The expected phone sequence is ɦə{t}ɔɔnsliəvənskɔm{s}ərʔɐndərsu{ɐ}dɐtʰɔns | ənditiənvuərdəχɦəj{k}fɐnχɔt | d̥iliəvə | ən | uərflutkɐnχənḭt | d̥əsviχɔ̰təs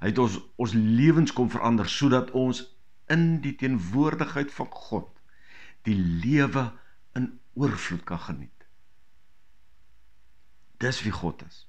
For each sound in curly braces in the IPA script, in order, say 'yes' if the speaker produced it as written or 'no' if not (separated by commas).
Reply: yes, no, no, no